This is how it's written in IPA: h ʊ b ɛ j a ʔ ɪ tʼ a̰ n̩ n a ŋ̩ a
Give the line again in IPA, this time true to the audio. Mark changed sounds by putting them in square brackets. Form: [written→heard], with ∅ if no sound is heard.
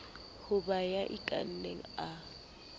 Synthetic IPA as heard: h ʊ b [ɛ→a] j a ʔ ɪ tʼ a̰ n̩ n [a→e] ŋ̩ a